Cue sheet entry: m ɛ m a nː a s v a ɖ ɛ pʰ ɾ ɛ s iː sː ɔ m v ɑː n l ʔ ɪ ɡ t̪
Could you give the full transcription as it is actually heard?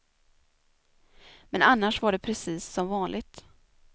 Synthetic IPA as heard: m ɛ n a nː a ʂ v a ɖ ɛ pʰ ɾ ɛ s iː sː ɔ m v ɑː n l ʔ ɪ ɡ t̪